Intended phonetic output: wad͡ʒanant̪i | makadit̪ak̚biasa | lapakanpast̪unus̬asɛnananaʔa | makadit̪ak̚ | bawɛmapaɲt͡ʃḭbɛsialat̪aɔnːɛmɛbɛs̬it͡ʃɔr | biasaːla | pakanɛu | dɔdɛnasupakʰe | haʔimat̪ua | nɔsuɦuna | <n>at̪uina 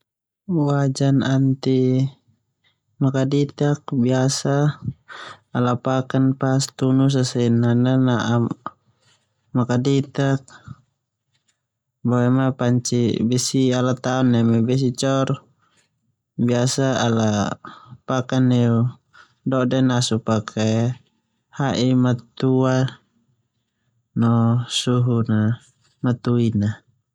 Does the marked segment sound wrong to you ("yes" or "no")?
yes